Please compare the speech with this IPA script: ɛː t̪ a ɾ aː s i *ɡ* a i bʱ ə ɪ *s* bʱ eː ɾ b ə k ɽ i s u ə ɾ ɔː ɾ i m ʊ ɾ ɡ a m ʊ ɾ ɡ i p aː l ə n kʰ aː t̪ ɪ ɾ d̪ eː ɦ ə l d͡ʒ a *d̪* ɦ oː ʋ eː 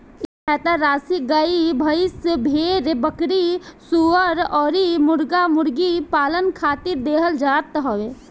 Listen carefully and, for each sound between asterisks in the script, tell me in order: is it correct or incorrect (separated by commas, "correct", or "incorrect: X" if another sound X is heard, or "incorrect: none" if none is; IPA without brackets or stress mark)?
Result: correct, correct, incorrect: t̪